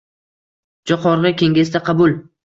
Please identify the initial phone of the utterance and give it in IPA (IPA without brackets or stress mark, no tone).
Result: d͡ʒ